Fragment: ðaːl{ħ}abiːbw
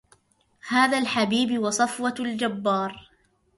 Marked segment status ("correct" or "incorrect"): correct